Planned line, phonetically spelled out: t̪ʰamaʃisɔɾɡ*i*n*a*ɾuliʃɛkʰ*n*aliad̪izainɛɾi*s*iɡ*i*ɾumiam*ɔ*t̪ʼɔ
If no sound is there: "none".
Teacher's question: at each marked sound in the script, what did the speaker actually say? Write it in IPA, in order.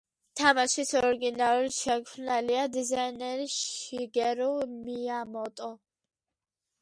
i, a, n, ʃ, ɛ, ɔ

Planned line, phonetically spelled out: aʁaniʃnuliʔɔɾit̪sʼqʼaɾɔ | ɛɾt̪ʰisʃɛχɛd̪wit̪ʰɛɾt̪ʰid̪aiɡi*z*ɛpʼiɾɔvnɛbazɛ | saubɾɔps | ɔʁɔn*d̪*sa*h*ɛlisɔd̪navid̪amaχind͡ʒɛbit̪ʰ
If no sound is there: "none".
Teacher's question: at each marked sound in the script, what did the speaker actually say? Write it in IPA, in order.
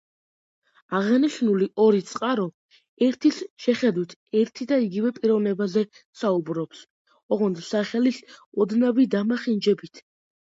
v, d̪, χ

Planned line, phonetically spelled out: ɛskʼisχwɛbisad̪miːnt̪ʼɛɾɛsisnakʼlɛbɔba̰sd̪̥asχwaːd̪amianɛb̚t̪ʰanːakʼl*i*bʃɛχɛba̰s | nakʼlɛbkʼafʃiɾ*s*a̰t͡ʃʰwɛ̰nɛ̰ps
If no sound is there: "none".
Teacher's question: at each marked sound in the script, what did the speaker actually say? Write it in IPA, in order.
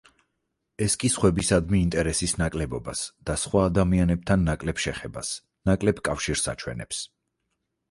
ɛ, s

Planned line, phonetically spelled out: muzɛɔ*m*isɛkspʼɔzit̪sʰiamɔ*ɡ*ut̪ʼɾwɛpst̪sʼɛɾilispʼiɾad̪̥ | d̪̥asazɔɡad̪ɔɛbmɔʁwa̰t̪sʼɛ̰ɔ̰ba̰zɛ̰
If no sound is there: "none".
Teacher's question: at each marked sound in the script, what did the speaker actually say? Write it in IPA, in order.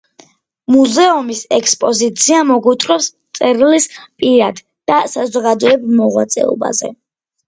m, ɡ

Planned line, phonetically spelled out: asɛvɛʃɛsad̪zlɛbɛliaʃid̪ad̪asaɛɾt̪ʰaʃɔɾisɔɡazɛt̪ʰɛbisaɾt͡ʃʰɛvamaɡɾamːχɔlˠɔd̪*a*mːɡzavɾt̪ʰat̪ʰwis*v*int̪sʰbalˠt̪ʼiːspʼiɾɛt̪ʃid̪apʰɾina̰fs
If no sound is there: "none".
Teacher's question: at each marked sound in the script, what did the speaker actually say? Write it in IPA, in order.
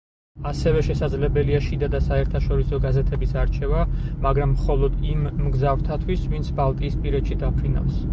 i, v

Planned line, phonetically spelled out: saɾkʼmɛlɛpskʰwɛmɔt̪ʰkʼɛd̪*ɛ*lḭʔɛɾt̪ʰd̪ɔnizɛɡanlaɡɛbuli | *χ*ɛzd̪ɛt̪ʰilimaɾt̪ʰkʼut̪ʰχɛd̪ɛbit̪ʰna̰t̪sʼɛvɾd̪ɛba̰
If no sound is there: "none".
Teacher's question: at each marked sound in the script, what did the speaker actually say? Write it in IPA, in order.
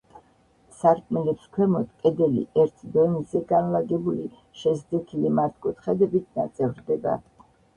ɛ, ʃ

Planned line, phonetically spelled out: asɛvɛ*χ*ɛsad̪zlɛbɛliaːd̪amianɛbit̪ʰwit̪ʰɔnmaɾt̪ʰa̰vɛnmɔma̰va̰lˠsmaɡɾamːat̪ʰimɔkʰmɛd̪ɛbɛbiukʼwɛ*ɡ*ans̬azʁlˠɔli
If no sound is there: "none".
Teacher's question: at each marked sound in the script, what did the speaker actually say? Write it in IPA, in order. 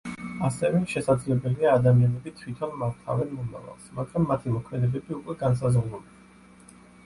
ʃ, ɡ

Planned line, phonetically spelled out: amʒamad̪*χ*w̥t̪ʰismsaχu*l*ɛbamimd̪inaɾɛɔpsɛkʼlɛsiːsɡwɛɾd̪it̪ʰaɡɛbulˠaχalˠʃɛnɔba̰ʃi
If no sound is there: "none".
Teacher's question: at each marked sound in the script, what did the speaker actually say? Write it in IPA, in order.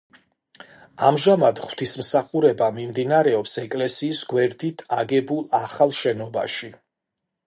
χ, ɾ

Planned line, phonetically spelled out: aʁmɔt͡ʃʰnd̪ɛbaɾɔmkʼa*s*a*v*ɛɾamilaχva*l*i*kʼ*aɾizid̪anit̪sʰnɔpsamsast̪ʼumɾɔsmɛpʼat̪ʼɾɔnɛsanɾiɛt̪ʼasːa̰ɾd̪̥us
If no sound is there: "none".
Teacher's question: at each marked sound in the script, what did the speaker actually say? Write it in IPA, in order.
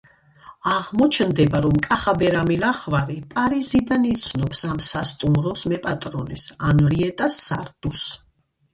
χ, b, ɾ, pʼ

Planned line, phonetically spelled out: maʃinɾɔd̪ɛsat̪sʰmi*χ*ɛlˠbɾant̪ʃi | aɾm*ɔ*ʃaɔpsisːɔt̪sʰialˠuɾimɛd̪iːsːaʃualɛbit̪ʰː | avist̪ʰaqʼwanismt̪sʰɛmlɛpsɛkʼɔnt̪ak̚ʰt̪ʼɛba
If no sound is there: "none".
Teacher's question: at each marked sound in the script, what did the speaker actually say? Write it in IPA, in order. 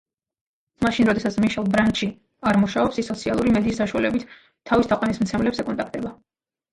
ʃ, u

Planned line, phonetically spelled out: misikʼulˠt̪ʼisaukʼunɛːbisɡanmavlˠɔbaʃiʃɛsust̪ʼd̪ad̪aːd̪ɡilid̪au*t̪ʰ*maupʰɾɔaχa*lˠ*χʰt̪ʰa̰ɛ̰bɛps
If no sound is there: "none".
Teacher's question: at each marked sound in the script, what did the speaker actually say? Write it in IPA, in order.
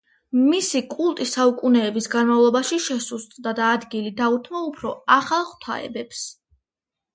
t̪ʰ, lˠ

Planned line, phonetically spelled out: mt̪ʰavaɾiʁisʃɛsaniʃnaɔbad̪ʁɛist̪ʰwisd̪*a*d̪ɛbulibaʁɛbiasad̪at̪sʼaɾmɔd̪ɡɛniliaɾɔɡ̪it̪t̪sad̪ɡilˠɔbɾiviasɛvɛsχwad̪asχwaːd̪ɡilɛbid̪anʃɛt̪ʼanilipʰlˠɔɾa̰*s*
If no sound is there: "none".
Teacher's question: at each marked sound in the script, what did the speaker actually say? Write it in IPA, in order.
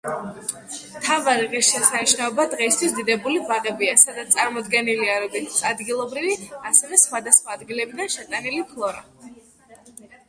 i, none

